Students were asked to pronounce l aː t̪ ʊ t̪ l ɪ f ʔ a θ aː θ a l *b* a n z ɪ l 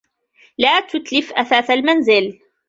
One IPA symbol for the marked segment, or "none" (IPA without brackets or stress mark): m